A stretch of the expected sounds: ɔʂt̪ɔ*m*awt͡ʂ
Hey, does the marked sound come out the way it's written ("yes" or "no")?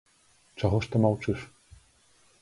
yes